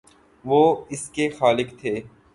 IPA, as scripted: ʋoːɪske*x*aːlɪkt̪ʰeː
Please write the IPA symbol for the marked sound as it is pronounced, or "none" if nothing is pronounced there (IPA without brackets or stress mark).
x